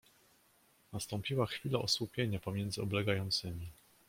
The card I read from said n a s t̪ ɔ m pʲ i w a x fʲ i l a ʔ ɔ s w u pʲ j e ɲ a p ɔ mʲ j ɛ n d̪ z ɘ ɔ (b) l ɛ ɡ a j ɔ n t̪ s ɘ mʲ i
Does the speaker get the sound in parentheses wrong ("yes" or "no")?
no